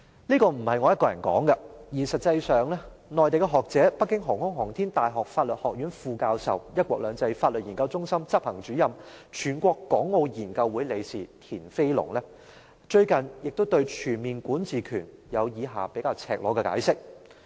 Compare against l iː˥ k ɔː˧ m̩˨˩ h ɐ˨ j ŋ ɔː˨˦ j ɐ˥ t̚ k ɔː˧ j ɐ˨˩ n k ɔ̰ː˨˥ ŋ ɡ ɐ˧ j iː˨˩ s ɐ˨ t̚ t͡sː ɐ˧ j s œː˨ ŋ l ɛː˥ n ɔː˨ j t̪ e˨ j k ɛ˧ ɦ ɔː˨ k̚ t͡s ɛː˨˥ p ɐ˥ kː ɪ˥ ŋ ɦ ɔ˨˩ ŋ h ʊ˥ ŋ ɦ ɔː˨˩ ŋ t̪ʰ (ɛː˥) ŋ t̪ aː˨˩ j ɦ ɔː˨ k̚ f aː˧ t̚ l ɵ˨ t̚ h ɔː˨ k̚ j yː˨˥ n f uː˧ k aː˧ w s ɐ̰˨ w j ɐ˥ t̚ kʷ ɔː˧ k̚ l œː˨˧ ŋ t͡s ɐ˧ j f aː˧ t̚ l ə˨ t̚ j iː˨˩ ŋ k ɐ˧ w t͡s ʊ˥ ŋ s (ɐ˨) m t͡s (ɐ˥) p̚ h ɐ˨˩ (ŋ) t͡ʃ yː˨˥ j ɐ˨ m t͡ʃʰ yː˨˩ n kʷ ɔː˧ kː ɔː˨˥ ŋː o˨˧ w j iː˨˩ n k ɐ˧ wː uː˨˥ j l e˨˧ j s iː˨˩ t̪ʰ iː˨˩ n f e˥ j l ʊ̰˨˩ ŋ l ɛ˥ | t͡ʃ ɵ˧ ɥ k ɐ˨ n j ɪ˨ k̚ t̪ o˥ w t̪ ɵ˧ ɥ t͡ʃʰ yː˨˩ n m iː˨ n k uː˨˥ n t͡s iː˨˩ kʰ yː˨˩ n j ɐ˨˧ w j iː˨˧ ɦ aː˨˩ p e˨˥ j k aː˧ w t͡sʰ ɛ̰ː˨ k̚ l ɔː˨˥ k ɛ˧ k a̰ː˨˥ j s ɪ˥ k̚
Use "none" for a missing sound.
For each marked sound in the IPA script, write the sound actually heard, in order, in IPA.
iː˥, ɐ˥, ɐ˥, ŋ

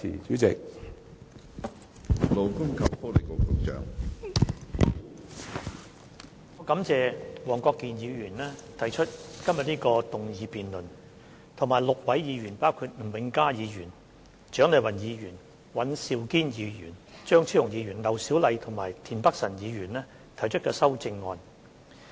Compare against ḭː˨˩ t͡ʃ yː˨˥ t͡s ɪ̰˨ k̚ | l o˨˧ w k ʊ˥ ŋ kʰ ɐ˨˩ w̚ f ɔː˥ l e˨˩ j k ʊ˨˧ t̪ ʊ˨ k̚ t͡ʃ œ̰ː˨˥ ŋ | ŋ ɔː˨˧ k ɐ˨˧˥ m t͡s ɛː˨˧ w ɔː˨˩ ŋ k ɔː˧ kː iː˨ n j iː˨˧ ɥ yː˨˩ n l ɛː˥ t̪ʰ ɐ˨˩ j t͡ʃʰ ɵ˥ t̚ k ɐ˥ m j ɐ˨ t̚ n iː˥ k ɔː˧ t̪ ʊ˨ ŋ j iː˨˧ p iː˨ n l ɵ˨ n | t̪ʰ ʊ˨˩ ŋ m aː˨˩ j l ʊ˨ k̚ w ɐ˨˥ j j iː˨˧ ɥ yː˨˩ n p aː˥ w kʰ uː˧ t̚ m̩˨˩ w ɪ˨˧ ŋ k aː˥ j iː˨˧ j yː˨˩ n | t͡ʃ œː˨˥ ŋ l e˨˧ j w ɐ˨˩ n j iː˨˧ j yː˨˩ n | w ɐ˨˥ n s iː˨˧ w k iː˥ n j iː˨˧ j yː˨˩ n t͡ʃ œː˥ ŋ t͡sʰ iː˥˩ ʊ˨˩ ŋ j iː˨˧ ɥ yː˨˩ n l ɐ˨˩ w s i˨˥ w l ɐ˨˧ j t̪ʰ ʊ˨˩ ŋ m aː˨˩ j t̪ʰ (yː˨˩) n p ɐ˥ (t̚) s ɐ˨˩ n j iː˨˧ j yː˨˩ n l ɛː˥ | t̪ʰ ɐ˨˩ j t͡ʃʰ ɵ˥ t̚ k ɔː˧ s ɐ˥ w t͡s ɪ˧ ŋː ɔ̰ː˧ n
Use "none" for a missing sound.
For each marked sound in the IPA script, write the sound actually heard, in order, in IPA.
iː˨˩, k̚

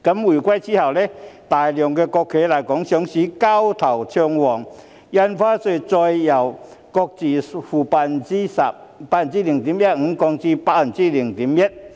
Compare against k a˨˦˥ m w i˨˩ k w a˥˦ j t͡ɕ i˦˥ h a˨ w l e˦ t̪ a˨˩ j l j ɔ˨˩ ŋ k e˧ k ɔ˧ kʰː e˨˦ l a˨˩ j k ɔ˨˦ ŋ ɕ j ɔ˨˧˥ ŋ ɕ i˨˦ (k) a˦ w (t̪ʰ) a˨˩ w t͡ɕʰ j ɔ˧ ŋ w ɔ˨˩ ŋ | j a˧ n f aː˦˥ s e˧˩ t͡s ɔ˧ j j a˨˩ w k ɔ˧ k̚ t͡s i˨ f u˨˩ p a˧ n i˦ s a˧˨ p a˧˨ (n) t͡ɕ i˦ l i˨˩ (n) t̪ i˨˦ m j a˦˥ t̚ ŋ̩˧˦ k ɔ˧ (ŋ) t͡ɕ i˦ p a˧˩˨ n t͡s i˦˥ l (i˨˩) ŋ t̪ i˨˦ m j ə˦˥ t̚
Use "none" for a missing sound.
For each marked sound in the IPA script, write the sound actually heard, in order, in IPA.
k, t̪ʰ, n, ŋ, ŋ, i˨˩

